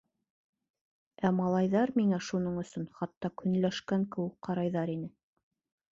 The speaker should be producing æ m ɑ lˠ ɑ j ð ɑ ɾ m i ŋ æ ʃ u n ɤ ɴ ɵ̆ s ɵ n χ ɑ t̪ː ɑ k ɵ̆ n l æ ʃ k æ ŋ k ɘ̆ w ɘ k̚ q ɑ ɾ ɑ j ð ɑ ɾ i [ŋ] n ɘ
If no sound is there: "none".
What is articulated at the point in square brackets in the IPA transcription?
none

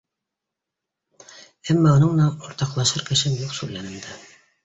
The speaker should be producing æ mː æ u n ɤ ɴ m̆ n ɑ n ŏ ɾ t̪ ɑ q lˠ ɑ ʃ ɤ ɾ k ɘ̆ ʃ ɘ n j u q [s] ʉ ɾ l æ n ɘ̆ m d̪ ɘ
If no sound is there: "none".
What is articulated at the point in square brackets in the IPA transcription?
s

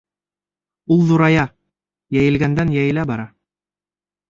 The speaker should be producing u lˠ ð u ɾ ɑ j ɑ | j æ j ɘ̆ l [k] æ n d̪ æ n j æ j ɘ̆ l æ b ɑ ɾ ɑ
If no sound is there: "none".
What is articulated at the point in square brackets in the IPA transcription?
ɡ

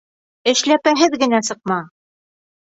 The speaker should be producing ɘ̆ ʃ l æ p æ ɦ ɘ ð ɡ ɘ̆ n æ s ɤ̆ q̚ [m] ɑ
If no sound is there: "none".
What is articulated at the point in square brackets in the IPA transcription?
m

